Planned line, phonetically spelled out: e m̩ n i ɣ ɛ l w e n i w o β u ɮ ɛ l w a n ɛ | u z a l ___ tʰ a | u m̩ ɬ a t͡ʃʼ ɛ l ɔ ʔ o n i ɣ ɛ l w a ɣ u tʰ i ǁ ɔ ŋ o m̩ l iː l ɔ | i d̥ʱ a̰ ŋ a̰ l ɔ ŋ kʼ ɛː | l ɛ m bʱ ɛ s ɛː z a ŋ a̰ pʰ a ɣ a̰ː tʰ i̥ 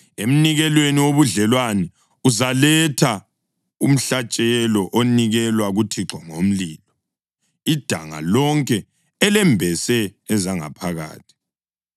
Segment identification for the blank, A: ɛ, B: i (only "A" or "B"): A